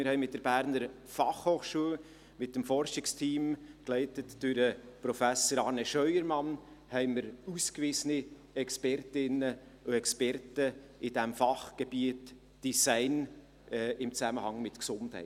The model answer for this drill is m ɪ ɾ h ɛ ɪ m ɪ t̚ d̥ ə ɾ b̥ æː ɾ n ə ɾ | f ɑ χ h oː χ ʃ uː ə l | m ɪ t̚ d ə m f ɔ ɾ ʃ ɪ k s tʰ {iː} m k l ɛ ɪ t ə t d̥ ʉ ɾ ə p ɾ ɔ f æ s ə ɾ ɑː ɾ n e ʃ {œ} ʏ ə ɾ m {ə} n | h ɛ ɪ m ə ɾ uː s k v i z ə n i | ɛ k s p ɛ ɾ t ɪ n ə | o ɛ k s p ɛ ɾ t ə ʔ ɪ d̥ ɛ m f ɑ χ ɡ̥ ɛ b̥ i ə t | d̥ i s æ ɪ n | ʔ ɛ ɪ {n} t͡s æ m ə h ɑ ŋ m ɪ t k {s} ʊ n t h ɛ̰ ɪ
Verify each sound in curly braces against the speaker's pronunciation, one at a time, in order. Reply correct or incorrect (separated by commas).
correct, correct, incorrect, incorrect, correct